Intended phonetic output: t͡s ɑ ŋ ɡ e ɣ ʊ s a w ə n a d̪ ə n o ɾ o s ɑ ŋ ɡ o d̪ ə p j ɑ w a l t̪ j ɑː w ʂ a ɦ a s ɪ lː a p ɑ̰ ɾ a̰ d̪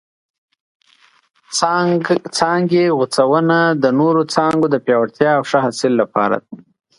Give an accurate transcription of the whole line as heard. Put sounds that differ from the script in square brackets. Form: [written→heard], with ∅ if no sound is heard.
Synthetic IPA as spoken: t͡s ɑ ŋ ɡ e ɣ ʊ [s→t͡s] a w ə n a d̪ ə n o ɾ o [s→t͡s] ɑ ŋ ɡ o d̪ ə p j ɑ w a [l→ɽ] t̪ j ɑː w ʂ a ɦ a s ɪ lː a p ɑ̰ ɾ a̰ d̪

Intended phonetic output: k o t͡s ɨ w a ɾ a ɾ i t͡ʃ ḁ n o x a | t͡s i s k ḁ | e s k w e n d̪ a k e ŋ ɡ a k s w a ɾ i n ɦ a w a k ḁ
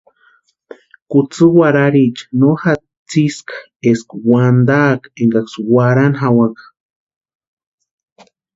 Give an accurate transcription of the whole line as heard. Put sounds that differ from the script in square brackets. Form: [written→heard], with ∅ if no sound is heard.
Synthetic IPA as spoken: k [o→u] t͡s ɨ w a ɾ a ɾ i t͡ʃ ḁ n o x a | t͡s i s k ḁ | e s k w [e→a] n d̪ a k e ŋ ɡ a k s w a ɾ [i→a] n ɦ a w a k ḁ

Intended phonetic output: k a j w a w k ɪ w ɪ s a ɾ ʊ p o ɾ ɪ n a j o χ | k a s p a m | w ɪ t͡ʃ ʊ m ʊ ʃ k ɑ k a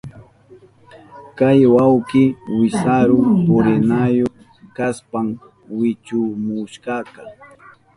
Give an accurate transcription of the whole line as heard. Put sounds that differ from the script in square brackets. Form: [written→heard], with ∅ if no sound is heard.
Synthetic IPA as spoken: k a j w a w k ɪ w ɪ s a ɾ ʊ p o ɾ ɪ n a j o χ | k a s p a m | w ɪ t͡ʃ ʊ m ʊ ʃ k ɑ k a

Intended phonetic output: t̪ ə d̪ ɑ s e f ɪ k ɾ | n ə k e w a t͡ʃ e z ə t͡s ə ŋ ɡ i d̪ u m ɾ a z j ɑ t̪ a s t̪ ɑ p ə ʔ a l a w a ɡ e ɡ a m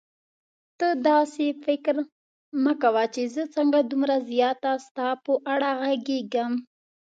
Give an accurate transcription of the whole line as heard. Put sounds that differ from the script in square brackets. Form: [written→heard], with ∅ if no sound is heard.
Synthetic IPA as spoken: t̪ ə d̪ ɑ s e f ɪ k ɾ | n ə k [e→a] w a t͡ʃ e z ə t͡s ə ŋ ɡ [i→a] d̪ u m ɾ a z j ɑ t̪ a s t̪ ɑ p ə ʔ a [l→ɽ] a [w→ɣ] a ɡ e ɡ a m

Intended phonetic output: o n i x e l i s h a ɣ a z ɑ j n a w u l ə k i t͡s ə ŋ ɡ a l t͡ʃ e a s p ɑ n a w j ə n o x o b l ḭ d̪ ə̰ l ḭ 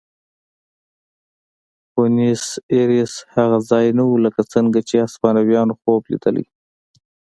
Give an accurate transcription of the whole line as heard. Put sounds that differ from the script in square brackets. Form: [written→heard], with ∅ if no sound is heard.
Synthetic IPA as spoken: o n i [x→s] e [l→ɾ] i s h a ɣ a z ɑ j n a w u l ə k [i→a] t͡s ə ŋ ɡ a [l→∅] t͡ʃ e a s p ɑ n a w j [ə→ɑ] n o x o b l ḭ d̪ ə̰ l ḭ

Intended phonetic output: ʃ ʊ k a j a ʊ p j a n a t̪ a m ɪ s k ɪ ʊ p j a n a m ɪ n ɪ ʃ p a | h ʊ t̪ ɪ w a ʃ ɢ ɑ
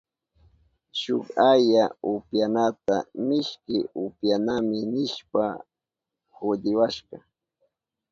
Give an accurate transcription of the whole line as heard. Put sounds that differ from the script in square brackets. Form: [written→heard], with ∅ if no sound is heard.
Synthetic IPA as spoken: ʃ ʊ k a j a ʊ p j a n a t̪ a m ɪ [s→ʃ] k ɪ ʊ p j a n a m ɪ n ɪ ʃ p a | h ʊ [t̪→d̪] ɪ w a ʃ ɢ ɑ

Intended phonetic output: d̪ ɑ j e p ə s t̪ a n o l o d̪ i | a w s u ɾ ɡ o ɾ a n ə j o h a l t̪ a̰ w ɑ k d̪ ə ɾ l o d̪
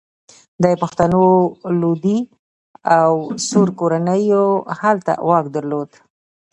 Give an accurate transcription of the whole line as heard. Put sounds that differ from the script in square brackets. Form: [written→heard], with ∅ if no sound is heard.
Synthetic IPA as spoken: d̪ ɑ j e p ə [s→x] t̪ a n o l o d̪ i | a w s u ɾ [ɡ→k] o ɾ a n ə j o h a l t̪ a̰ w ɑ k d̪ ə ɾ l o d̪

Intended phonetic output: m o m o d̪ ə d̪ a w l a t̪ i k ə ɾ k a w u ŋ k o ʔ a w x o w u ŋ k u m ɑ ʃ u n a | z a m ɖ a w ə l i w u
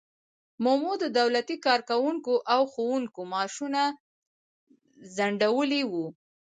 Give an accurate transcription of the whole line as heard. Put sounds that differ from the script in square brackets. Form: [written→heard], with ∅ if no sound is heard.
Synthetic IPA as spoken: m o m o d̪ ə d̪ a w l a t̪ i k [ə→ɑ] ɾ k a w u ŋ k o ʔ a w x o w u ŋ k [u→o] m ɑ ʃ u n a | z a [m→ɳ] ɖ a w ə l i w u

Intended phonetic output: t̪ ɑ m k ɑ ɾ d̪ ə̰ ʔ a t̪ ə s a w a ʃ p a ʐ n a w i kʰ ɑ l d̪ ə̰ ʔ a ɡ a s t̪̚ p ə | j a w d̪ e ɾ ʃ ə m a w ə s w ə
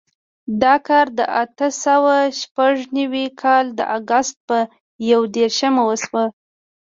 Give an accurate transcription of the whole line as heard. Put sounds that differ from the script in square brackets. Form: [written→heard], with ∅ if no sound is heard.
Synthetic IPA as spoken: [t̪→d̪] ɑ [m→∅] k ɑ ɾ d̪ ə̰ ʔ a t̪ ə s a w a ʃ p a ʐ n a w i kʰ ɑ l d̪ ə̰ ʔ a ɡ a s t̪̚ p ə | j a w d̪ e ɾ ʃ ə m a w ə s w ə

